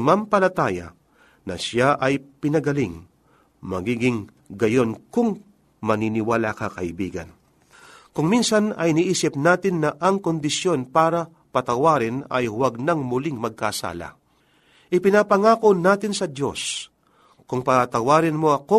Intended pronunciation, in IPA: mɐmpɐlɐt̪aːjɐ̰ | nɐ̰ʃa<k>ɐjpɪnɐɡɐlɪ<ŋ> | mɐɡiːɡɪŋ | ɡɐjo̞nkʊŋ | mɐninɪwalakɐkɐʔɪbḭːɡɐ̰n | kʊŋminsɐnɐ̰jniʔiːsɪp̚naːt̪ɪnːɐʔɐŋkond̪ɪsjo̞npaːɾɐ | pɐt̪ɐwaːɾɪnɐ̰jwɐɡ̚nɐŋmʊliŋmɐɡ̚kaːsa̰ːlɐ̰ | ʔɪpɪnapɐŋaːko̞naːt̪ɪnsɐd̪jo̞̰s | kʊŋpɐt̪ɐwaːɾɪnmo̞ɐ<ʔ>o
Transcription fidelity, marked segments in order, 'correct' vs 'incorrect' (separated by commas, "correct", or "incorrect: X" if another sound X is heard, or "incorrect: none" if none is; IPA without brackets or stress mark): incorrect: ʔ, correct, incorrect: k